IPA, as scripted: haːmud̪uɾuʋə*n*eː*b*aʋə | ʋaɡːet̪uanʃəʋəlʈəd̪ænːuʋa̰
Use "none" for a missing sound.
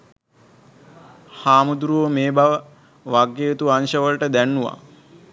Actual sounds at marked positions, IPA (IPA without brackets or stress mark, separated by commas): m, b